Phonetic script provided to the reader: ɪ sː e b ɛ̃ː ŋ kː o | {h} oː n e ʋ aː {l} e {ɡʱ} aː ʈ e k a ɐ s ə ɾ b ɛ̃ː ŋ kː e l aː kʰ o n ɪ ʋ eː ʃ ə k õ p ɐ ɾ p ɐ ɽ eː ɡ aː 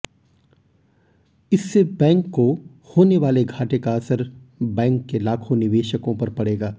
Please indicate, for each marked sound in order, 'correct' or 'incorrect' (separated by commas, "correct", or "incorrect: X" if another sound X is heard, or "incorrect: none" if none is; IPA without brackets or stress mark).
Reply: correct, correct, correct